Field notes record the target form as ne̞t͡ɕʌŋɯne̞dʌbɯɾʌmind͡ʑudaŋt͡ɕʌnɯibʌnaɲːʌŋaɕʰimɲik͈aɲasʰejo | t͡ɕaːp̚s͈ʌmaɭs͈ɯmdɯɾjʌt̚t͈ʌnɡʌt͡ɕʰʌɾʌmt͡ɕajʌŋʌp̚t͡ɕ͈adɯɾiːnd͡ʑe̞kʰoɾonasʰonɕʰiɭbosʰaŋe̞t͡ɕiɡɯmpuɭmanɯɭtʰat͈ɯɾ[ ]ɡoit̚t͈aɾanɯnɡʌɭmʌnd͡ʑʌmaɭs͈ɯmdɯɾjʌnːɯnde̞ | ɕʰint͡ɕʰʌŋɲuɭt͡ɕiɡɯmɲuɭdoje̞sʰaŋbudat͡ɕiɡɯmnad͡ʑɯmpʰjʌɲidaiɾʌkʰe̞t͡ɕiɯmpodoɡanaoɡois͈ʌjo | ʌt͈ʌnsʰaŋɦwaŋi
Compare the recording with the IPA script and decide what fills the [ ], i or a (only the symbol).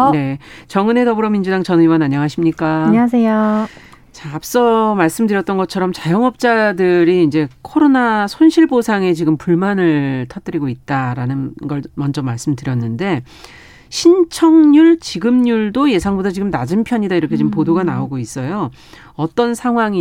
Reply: i